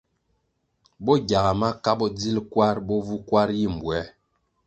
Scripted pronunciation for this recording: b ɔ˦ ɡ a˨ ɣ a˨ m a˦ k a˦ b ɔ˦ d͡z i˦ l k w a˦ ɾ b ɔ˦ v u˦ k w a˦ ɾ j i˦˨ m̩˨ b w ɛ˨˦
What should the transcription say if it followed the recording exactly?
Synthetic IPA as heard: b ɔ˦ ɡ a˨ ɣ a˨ m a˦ k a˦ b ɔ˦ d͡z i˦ l k w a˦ ɾ b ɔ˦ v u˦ k w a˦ ɾ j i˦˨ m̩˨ b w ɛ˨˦